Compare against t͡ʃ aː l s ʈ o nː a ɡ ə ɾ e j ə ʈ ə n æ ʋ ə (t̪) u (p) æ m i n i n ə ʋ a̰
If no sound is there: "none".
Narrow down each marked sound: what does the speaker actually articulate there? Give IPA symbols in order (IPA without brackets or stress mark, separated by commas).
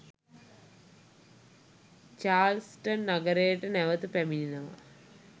t̪, p